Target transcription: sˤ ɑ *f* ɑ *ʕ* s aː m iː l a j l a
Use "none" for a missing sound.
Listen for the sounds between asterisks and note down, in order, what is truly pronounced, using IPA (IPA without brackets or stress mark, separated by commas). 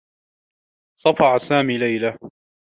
f, ʕ